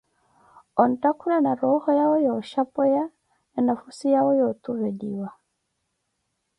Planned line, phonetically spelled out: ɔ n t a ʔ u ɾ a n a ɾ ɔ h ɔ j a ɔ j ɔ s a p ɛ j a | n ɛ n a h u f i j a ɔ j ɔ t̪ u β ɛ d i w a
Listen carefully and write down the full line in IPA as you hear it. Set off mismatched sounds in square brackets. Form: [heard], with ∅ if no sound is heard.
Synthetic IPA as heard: ɔ n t a [k] u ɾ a n a ɾ ɔ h ɔ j a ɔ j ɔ [ʃ] a p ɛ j a | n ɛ n a [f] u [s] i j a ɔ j ɔ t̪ u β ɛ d i w a

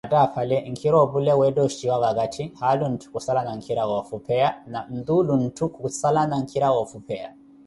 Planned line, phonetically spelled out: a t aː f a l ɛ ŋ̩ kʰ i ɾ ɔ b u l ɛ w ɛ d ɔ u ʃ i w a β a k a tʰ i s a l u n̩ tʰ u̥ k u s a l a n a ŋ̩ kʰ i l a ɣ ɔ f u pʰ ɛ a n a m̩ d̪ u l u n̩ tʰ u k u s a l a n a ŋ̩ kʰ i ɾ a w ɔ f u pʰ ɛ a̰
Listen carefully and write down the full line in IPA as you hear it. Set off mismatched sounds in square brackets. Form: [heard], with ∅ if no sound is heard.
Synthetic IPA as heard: a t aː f a l ɛ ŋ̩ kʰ i ɾ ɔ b u l ɛ w ɛ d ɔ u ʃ i w a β a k a tʰ i [h] a l u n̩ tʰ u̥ k u s a l a n a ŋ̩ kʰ i [ɾ] a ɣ ɔ f u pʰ ɛ a n a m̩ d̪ u l u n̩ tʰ u k u s a l a n a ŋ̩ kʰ i ɾ a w ɔ f u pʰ ɛ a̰

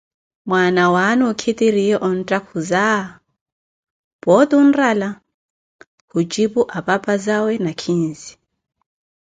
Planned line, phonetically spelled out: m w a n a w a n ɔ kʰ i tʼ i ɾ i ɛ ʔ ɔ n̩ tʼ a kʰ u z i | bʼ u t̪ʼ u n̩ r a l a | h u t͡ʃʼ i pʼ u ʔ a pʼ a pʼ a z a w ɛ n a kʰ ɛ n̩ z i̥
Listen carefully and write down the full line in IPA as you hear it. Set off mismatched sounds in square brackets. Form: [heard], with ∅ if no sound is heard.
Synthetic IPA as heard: m w a n a w a n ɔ kʰ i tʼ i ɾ i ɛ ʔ ɔ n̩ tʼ a kʰ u z [a] | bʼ [ɔ] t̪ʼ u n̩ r a l a | h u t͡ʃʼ i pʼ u ʔ a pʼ a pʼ a z a w ɛ n a kʰ [i] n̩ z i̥

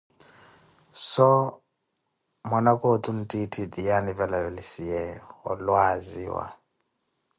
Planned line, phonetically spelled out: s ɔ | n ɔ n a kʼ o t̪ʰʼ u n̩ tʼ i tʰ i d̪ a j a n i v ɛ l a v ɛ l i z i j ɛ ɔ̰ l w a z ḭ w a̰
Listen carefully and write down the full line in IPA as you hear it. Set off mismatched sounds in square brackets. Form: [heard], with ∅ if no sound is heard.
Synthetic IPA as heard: s ɔ | [m] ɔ n a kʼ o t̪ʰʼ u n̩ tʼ i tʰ i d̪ [i] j a n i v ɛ l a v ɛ l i [s] i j ɛ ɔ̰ l w a z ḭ w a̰

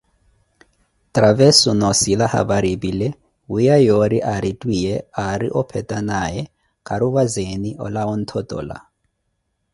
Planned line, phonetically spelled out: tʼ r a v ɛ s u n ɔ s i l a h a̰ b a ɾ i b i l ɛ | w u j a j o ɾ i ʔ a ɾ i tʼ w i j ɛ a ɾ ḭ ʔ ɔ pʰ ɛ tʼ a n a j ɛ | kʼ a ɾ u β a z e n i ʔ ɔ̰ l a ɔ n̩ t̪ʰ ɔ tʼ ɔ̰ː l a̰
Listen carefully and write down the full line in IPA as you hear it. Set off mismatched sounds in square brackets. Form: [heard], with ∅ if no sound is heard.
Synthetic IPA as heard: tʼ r a v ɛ s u n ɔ s i l a h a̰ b a ɾ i b i l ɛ | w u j a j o ɾ i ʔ a ɾ i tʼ w i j ɛ a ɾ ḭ ʔ ɔ pʰ ɛ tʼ a n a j ɛ | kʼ a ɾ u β a z e n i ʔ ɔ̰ l a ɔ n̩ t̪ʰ ɔ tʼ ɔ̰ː l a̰

